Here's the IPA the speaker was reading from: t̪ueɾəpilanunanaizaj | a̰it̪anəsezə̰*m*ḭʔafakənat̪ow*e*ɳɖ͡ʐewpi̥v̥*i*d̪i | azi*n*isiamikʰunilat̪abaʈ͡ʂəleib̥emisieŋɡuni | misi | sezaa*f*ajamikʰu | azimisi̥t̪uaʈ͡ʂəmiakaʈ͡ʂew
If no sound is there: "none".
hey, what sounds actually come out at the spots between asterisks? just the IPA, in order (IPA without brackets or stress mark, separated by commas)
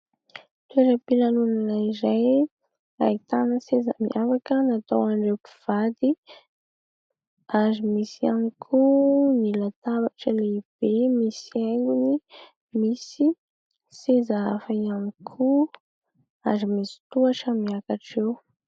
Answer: m, a, a, m, f